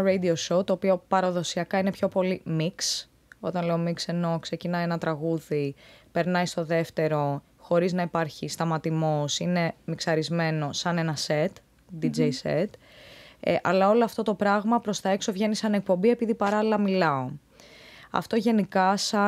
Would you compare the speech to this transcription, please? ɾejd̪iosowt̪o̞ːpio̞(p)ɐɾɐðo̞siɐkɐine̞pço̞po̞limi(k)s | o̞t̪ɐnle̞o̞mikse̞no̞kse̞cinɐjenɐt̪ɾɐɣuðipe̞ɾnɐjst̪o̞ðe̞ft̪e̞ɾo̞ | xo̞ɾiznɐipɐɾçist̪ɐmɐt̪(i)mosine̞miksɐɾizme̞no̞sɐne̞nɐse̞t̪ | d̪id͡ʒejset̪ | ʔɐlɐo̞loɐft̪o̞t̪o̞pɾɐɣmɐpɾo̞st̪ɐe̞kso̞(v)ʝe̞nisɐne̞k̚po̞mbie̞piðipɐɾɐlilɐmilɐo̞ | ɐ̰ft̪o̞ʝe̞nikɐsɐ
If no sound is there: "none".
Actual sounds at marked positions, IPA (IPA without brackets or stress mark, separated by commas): p, k, i, v